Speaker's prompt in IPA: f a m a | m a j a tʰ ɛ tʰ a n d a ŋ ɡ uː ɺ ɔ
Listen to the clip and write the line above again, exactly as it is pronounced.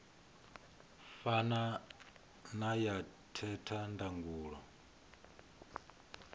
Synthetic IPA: f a n a | n a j a tʰ ɛ tʰ a n d a ŋ ɡ uː ɺ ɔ